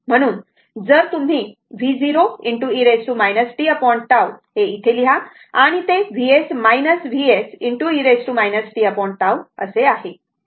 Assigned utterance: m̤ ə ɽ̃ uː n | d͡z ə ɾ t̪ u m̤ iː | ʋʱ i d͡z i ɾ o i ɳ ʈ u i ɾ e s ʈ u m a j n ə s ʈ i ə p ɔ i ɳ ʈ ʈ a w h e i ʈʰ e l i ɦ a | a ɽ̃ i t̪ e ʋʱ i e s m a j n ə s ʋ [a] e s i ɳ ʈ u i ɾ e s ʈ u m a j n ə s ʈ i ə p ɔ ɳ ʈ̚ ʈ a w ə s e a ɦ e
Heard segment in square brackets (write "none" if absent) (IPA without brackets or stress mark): i